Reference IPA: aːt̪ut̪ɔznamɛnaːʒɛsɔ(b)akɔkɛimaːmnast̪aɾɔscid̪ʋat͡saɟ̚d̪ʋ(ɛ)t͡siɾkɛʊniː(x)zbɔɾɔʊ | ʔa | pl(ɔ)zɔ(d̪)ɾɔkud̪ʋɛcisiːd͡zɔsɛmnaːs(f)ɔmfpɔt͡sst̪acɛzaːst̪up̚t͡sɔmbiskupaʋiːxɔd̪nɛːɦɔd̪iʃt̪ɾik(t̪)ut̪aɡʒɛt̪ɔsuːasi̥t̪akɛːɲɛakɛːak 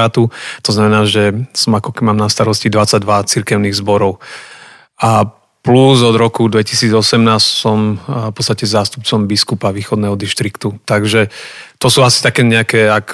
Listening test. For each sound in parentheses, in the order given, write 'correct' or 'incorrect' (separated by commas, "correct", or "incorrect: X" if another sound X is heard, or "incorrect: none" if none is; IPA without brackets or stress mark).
incorrect: m, incorrect: a, incorrect: ɣ, incorrect: u, correct, incorrect: s, correct